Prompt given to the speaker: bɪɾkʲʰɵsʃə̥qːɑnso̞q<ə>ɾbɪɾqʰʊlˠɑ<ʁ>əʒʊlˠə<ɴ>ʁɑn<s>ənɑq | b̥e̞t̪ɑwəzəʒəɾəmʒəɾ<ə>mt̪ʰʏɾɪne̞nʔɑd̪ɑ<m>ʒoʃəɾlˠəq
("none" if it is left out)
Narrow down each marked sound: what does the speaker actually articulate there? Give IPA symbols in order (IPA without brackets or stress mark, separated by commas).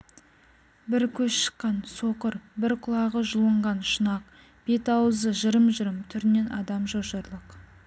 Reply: ə, ʁ, ɴ, ʃ, ə, m